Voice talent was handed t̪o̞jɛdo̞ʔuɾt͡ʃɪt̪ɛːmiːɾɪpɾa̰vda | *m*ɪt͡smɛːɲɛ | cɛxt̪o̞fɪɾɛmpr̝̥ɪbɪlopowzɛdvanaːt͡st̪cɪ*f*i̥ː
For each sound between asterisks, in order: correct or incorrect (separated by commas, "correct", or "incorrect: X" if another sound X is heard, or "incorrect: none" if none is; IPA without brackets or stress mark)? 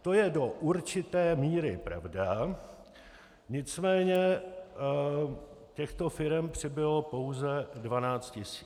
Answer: incorrect: ɲ, incorrect: s